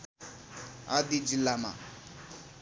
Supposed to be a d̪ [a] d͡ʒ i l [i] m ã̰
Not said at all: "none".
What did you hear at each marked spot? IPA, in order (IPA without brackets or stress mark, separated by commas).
i, a